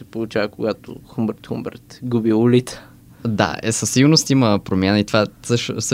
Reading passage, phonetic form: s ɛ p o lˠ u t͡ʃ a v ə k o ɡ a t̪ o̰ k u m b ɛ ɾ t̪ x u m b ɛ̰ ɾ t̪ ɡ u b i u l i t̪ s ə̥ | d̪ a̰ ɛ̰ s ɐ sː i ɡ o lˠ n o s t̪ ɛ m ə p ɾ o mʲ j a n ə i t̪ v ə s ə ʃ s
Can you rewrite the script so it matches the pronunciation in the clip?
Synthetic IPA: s ɛ p o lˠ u t͡ʃ a v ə k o ɡ a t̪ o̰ x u m b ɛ ɾ t̪ x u m b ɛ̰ ɾ t̪ ɡ u b i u l i t̪ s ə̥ | d̪ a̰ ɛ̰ s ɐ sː i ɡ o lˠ n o s t̪ i m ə p ɾ o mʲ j a n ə i t̪ v a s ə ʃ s